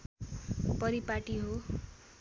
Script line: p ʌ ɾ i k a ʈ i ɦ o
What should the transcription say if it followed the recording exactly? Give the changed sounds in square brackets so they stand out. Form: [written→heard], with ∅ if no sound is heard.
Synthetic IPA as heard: p ʌ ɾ i [k→p] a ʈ i ɦ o